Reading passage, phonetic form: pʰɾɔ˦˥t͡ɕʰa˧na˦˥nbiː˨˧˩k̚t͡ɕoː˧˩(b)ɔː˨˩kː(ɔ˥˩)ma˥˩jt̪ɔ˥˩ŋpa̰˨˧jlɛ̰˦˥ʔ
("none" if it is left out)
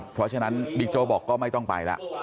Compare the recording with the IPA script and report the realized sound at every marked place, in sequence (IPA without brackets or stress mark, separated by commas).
b, ɔː˥˩